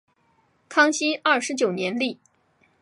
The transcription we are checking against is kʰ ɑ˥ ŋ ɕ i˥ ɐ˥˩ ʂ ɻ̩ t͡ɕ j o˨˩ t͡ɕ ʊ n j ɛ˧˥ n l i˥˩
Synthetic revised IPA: kʰ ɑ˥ ŋ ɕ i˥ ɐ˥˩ ʂ ɻ̩ t͡ɕ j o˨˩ ʊ n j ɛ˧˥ n l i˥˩